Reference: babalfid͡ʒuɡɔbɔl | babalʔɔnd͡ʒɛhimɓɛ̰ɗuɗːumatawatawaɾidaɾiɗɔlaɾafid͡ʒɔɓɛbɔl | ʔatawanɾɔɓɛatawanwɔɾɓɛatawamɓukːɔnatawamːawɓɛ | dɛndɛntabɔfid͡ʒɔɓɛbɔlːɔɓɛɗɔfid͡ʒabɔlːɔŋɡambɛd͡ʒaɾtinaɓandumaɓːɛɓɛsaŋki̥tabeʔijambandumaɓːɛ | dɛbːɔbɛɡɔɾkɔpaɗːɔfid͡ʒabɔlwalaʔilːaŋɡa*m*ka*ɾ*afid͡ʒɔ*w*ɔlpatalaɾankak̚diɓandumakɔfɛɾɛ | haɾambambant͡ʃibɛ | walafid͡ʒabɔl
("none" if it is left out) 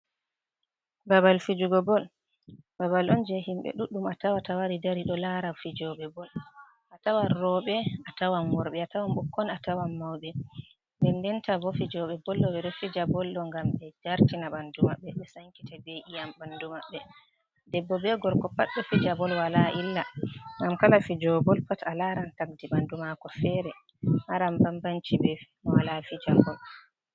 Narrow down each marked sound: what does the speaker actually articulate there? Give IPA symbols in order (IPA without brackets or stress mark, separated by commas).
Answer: m, l, b